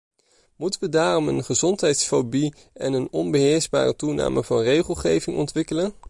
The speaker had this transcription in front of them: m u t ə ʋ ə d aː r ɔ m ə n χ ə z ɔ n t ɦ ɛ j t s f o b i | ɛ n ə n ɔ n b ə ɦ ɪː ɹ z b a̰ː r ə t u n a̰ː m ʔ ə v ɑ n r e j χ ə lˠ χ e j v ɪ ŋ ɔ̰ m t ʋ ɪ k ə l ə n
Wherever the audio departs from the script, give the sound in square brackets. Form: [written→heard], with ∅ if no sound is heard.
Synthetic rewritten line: m u t ə ʋ ə d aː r ɔ m ə n χ ə z ɔ n t ɦ ɛ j t s f o b i | ɛ n ə n ɔ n b ə ɦ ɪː ɹ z b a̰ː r ə t u n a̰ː m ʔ ə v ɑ n r e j χ ə lˠ χ e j v ɪ ŋ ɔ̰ [m→n] t ʋ ɪ k ə l ə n